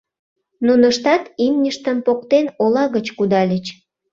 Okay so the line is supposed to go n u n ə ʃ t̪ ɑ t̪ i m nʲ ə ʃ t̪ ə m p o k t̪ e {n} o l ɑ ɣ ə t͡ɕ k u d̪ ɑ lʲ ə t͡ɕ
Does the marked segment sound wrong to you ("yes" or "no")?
no